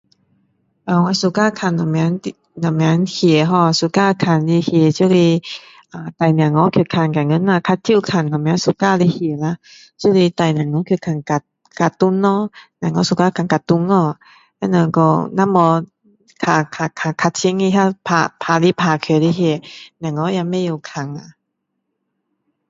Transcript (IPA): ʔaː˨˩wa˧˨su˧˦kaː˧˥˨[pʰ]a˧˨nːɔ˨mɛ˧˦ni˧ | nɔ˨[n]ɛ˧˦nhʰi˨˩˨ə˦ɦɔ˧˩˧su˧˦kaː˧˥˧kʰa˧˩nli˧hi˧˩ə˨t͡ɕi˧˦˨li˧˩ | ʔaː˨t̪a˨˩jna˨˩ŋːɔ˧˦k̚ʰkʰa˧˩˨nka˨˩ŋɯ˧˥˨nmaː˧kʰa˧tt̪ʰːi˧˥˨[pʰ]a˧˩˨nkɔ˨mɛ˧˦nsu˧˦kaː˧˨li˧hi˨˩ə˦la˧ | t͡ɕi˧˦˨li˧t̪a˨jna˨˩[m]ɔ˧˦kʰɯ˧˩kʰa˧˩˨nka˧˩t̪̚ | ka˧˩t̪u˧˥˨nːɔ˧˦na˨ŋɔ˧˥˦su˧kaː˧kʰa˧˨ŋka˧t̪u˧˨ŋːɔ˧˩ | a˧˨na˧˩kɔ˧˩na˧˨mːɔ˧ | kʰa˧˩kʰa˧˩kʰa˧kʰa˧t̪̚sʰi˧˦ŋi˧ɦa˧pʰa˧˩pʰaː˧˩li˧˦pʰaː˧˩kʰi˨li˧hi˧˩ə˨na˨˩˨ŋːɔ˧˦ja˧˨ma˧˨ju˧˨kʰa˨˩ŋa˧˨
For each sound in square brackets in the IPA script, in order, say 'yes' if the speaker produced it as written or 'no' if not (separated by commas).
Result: no, no, no, no